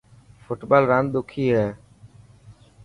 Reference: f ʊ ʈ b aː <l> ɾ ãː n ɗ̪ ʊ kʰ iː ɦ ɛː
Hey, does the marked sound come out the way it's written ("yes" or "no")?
yes